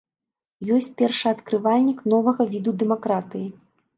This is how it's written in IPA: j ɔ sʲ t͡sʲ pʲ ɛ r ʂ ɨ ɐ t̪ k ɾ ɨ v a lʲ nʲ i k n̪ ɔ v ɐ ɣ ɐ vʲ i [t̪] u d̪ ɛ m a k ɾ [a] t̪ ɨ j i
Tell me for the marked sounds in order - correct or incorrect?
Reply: incorrect: d̪, correct

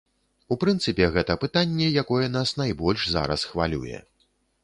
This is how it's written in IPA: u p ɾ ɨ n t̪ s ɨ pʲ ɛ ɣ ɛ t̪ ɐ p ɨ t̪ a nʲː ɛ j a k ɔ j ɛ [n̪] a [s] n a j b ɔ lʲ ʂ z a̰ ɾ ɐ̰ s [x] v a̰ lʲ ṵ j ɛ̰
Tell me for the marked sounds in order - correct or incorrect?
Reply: correct, correct, correct

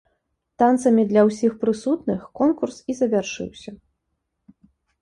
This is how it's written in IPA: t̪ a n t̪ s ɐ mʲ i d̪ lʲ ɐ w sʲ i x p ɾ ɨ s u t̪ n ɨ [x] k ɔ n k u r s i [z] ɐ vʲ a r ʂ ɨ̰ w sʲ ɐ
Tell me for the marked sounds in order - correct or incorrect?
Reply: correct, correct

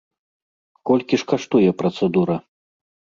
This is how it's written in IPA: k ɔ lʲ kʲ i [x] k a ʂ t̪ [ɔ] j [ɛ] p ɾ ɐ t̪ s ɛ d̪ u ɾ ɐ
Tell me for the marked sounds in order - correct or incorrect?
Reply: incorrect: ʂ, incorrect: u, correct

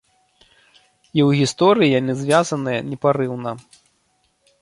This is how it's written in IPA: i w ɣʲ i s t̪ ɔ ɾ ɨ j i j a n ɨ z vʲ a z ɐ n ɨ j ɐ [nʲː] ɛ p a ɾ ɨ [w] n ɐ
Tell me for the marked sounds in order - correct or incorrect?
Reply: incorrect: nʲ, correct

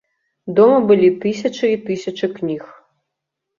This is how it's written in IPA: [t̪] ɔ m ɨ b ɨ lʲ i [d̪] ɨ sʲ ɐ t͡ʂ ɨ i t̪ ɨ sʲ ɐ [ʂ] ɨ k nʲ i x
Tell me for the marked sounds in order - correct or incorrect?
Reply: incorrect: d̪, incorrect: t̪, incorrect: t͡ʂ

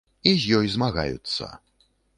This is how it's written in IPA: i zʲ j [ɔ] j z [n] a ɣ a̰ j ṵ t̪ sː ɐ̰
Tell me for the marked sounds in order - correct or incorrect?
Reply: correct, incorrect: m

